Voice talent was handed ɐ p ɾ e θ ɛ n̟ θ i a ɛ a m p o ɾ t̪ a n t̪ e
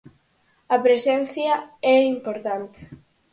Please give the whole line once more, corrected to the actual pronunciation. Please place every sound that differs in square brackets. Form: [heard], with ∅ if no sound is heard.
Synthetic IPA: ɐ p ɾ e [s] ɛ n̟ θ [j] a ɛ [i] m p o ɾ t̪ a n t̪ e